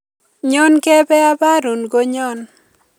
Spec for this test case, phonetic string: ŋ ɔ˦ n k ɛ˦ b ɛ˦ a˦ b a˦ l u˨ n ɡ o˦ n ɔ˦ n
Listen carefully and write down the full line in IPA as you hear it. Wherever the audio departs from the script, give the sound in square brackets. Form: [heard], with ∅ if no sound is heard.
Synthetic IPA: [ɲ] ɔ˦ n k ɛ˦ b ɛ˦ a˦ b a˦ [ɾ] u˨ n ɡ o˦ [ɲ] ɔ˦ n